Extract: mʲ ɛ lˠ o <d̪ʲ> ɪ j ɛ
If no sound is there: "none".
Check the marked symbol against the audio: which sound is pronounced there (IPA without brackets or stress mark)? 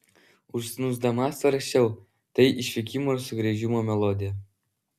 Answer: d̪ʲ